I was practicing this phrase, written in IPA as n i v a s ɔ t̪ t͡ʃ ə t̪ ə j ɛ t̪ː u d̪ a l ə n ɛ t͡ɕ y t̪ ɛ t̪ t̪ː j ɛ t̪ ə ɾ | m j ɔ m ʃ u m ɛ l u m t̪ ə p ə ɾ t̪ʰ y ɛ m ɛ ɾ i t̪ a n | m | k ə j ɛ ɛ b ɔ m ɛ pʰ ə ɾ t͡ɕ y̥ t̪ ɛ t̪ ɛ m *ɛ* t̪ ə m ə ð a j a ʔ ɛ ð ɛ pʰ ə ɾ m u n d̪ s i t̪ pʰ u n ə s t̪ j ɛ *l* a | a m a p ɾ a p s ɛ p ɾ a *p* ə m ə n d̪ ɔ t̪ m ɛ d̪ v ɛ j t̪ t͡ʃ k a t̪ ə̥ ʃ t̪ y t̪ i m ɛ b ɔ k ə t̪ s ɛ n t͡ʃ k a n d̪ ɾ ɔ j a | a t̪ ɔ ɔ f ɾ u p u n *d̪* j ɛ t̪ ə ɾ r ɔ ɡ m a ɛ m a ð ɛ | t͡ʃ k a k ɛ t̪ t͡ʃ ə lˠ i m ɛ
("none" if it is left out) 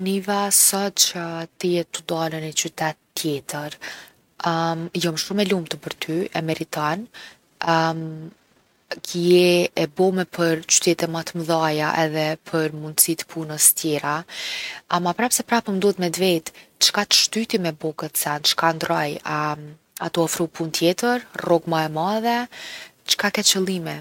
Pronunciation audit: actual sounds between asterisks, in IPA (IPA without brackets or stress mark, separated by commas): a, ɾ, p, t̪